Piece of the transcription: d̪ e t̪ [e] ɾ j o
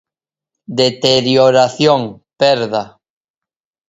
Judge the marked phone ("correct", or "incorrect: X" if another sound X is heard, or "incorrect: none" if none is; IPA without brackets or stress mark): correct